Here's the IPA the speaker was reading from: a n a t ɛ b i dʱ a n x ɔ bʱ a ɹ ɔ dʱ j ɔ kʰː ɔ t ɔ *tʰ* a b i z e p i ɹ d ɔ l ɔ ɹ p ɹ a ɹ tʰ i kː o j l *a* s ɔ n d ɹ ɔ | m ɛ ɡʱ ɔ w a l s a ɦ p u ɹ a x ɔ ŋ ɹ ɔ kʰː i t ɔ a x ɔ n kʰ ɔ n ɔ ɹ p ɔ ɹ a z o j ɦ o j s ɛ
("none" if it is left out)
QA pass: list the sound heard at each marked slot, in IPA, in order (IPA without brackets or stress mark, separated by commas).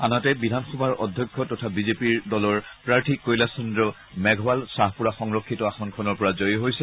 tʰ, a